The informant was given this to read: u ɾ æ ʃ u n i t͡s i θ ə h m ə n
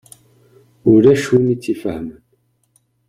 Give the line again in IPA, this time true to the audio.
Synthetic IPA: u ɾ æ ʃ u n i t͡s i f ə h m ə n

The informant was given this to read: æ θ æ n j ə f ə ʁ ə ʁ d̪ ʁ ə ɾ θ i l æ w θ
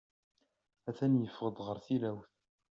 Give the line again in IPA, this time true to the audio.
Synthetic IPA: æ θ æ n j ə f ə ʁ ə d̪ ʁ ə ɾ θ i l æ w θ

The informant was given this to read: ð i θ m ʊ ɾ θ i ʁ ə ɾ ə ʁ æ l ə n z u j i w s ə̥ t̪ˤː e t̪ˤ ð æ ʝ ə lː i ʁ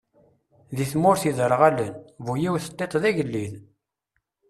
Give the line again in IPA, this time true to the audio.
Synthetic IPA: ð i θ m ʊ ɾ θ i ð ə ɾ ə ʁ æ l ə n v u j i w θ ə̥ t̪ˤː e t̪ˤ ð æ ʝ ə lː i ð

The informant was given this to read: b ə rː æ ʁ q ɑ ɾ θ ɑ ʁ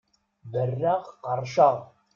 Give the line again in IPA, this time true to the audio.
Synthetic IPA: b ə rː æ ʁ q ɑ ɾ ʃ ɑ ʁ

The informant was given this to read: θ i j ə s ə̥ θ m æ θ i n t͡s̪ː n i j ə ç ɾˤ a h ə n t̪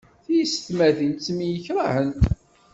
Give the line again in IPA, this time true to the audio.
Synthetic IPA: θ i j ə s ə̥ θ m æ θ i n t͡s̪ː m i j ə ç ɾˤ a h ə n t̪

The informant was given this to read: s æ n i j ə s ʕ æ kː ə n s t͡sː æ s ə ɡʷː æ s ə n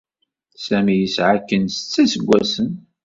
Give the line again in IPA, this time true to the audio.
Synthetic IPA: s æ m i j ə s ʕ a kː ə n s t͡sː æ s ə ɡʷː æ s ə n

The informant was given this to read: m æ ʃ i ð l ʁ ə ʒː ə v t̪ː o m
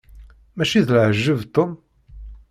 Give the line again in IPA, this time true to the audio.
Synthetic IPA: m æ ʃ i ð l ʕ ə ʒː ə v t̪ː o m

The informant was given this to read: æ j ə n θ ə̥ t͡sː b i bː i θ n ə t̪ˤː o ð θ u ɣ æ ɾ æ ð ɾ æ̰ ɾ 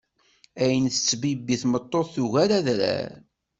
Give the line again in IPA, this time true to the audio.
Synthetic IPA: æ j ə n θ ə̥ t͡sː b i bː i θ m ə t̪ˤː o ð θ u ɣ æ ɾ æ ð ɾ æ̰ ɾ

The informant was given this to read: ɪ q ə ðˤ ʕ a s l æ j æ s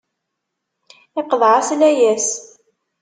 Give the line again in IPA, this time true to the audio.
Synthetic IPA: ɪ q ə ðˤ ʕ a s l æ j æ s

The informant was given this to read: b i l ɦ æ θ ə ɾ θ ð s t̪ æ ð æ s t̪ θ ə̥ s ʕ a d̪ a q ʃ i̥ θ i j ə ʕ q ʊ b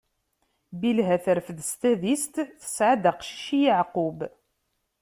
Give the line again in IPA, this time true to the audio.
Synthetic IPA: b i l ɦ æ θ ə ɾ f ð s t̪ æ ð i s t̪ θ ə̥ s ʕ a d̪ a q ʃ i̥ ʃ i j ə ʕ q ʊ b

